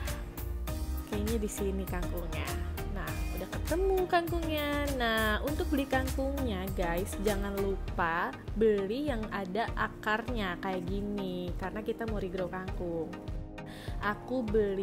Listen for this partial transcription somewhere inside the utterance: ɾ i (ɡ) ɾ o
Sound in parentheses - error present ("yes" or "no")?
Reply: no